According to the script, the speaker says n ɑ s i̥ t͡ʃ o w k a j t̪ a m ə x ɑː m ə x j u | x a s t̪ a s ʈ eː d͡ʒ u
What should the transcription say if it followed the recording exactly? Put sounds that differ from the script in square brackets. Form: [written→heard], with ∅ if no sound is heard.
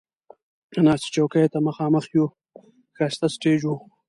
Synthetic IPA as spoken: n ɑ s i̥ t͡ʃ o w k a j t̪ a m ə x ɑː m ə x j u | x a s t̪ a s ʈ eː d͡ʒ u